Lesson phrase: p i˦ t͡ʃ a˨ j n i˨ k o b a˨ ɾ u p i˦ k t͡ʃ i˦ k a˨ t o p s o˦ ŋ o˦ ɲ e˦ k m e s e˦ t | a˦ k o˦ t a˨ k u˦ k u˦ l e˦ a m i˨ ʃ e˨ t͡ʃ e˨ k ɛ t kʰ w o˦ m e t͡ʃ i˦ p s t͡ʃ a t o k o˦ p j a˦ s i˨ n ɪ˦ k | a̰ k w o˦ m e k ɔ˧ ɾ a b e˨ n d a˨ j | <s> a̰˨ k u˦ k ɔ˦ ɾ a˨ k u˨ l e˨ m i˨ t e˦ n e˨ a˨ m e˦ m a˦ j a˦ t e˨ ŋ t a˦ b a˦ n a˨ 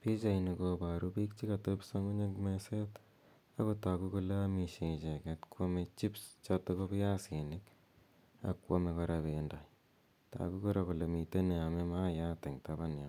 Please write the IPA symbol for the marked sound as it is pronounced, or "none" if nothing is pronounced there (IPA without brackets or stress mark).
t